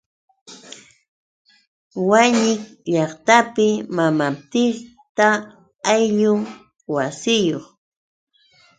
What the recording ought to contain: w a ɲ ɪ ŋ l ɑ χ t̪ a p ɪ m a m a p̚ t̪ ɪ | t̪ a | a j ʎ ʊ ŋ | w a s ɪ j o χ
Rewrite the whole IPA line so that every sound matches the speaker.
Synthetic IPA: w a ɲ ɪ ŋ ʎ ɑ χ t̪ a p ɪ m a m a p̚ t̪ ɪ | t̪ a | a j ʎ ʊ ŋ | w a s ɪ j o χ